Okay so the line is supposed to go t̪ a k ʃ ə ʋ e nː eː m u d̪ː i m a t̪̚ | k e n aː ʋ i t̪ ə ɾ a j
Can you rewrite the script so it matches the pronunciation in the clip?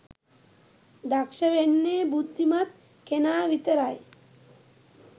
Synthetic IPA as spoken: d̪ a k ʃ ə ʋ e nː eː b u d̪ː i m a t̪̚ | k e n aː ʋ i t̪ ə ɾ a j